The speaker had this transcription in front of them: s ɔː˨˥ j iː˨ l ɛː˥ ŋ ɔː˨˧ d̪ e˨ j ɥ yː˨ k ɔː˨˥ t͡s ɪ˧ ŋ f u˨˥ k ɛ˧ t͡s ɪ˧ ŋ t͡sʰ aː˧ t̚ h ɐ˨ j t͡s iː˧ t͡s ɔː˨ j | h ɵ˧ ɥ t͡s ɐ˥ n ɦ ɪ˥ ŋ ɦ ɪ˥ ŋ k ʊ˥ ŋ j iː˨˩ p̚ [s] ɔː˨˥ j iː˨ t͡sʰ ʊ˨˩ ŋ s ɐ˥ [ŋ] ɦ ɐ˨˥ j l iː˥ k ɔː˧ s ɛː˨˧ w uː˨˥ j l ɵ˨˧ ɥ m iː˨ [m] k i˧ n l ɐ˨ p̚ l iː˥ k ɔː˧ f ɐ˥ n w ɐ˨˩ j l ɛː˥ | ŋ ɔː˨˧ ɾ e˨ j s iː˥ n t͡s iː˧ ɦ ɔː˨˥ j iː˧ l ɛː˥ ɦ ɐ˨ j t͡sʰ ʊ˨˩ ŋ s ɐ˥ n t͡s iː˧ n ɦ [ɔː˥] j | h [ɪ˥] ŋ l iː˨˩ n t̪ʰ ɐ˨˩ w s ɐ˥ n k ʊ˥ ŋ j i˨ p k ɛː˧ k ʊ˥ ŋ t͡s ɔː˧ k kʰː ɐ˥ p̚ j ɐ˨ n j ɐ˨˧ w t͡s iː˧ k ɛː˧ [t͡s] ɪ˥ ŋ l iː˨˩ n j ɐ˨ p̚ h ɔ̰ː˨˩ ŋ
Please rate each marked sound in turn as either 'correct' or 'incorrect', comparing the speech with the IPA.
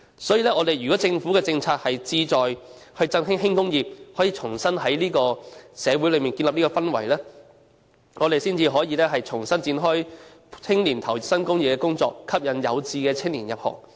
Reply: incorrect, incorrect, incorrect, correct, correct, incorrect

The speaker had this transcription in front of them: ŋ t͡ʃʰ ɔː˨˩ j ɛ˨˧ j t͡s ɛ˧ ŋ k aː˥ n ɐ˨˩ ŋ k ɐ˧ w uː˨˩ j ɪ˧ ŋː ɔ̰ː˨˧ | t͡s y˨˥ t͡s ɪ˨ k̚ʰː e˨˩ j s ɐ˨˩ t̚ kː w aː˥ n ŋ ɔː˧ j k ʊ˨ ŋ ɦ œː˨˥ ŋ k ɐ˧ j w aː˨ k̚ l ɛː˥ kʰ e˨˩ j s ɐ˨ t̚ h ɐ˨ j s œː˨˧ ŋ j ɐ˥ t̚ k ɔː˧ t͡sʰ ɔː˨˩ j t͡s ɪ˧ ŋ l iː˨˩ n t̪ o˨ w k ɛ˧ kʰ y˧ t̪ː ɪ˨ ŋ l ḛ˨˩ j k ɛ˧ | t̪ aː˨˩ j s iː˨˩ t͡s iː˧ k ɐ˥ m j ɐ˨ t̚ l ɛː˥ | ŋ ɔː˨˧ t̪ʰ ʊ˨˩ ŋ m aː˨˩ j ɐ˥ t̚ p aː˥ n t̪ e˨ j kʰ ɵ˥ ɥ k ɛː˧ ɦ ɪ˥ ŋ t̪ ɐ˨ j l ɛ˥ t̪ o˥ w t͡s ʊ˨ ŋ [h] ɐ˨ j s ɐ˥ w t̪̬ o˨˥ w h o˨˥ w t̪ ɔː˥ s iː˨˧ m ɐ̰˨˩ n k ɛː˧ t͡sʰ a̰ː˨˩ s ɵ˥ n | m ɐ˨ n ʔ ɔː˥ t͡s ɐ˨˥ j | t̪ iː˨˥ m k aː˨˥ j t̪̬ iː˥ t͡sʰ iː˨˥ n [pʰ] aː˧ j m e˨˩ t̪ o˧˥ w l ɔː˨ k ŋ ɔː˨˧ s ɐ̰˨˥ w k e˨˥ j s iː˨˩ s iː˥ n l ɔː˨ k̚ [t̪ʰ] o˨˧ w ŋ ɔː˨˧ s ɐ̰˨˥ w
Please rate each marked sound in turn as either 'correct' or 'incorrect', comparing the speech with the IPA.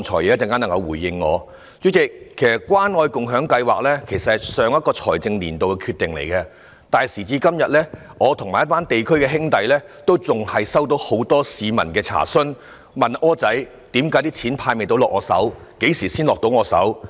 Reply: correct, correct, incorrect

